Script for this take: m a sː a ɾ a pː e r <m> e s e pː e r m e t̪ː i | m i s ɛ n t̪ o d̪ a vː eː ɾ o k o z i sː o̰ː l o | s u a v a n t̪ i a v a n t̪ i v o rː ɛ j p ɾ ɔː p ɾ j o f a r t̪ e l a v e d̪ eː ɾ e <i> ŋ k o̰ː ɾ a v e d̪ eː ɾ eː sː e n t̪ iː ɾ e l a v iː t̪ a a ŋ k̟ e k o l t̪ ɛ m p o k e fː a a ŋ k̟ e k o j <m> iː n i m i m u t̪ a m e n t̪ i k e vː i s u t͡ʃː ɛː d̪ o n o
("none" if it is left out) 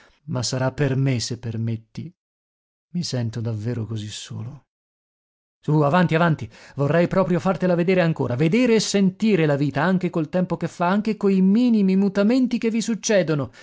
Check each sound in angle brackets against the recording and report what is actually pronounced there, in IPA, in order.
m, a, m

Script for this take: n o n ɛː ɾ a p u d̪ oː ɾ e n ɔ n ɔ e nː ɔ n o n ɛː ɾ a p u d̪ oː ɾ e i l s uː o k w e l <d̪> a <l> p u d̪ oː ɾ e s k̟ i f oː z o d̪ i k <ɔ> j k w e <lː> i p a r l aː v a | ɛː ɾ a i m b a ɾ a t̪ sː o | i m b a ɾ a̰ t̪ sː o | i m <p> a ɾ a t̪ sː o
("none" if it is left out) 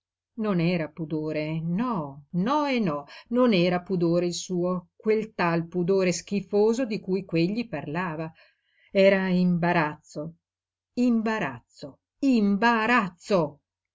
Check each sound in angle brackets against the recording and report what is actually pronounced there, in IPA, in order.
t̪, l, u, ʎː, b

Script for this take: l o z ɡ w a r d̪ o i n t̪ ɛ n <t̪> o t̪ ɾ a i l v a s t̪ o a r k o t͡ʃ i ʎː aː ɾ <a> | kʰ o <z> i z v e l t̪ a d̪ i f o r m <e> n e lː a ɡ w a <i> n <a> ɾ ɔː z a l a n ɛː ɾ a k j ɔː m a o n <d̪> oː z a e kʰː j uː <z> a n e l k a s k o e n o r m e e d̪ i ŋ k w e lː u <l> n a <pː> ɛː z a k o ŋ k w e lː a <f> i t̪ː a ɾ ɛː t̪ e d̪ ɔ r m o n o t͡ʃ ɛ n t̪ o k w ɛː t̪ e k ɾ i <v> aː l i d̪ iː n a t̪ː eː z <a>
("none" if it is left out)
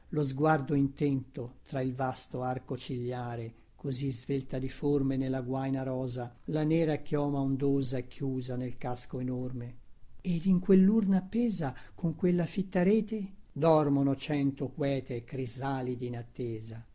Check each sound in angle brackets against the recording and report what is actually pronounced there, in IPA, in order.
t̪, e, z, e, j, a, d̪, z, r, pː, f, z, a

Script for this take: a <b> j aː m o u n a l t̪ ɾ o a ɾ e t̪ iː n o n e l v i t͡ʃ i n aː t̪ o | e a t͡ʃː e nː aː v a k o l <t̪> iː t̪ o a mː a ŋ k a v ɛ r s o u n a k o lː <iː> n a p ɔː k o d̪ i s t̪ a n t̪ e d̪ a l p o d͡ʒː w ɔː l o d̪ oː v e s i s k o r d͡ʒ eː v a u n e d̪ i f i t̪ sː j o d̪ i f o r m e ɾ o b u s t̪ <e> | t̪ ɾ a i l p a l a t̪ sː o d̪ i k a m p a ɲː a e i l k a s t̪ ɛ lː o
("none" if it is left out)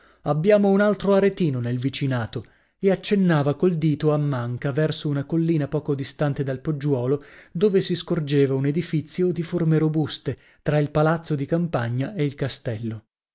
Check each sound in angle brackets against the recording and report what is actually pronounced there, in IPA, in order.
bː, d̪, iː, e

